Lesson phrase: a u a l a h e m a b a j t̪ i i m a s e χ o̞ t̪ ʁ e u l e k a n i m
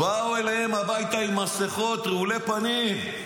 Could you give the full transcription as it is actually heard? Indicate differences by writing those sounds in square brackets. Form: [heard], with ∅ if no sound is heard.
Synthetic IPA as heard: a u [e] l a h e m a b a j t̪ [a] i m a s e χ o̞ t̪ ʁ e u l e [p] a n i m